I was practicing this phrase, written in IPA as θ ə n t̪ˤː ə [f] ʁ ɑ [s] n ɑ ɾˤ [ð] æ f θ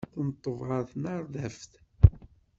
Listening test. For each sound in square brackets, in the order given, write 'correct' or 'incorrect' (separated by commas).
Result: incorrect, incorrect, correct